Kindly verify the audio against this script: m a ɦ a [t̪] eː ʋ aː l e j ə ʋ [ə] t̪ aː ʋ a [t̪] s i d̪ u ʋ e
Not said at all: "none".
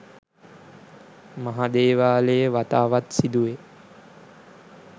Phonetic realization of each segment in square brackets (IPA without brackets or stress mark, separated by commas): d̪, a, t̪